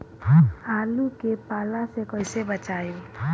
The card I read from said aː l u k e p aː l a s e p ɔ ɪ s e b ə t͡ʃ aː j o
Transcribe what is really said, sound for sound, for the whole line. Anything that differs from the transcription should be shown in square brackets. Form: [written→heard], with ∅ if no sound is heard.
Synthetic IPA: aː l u k e p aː l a s e [p→k] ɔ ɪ s e b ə t͡ʃ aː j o